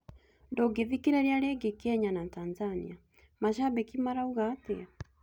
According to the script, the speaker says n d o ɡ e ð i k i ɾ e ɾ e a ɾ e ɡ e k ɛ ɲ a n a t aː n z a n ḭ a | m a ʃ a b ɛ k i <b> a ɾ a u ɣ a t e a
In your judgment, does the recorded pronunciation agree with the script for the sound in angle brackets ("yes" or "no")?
no